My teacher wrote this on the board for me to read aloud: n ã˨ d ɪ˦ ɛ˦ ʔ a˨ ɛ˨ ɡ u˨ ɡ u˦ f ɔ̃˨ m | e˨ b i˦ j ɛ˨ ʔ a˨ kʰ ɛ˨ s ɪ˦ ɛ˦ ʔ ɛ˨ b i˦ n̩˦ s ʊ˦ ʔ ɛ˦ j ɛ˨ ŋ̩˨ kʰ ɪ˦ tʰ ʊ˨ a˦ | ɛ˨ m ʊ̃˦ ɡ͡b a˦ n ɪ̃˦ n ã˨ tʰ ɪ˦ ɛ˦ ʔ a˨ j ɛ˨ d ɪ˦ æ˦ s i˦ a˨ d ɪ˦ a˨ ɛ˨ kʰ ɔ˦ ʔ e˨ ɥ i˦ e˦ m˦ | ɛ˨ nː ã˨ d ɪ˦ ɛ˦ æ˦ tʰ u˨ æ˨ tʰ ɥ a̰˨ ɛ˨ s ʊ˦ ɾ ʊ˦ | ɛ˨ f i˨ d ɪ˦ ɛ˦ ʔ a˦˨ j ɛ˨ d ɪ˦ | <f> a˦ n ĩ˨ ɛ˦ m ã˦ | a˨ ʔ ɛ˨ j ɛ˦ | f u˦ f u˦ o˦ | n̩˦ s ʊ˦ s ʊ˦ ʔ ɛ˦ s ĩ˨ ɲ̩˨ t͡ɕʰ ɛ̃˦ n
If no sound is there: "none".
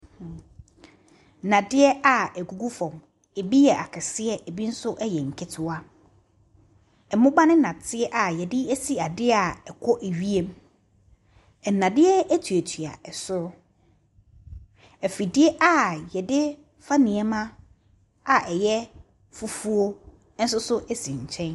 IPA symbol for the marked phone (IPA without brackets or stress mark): f